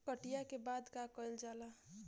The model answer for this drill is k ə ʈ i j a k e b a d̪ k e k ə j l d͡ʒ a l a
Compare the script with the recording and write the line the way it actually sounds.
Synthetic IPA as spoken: k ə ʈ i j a k e b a d̪ k a k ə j l d͡ʒ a l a